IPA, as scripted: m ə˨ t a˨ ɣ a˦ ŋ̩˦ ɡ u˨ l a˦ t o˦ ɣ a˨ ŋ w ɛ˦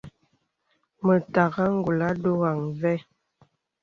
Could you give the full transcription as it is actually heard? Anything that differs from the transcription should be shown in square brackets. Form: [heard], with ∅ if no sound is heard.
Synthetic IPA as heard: m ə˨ t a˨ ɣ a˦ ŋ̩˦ ɡ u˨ l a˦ [d] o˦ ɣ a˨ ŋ [v] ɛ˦